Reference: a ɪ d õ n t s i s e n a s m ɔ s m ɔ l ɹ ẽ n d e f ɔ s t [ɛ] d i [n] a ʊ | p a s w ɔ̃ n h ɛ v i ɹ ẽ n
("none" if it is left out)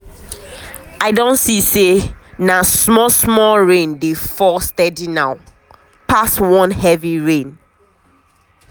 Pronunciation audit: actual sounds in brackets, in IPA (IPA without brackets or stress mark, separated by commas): ɛ, n